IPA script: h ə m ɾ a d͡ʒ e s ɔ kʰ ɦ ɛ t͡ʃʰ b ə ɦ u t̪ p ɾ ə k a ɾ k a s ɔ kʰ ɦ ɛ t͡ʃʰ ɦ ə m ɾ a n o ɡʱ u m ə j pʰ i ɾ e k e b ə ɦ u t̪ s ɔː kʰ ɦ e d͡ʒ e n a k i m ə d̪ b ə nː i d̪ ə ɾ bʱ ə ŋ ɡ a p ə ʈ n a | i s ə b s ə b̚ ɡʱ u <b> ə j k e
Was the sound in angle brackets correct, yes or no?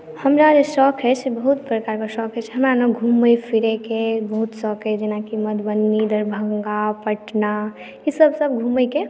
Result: no